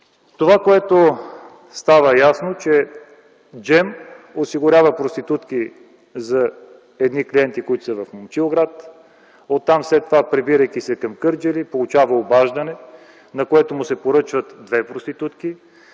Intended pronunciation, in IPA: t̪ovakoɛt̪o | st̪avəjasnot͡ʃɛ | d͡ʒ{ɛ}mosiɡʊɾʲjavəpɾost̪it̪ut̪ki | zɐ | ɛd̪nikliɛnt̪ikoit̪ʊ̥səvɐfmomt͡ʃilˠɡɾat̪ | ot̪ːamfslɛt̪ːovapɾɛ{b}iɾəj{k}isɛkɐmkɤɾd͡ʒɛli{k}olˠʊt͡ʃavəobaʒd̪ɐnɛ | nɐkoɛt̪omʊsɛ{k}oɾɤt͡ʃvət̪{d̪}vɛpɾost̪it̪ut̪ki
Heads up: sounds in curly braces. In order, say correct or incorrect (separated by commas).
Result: correct, correct, correct, incorrect, incorrect, correct